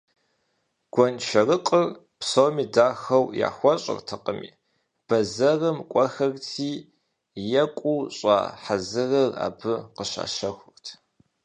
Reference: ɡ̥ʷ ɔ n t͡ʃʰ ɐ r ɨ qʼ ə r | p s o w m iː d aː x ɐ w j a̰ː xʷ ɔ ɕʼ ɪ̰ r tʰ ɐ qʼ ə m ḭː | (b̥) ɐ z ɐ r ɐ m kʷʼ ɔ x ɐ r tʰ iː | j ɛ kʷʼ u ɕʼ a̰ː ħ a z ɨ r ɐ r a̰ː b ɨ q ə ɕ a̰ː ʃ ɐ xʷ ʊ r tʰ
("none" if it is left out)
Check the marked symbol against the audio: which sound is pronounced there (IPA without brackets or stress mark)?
b̥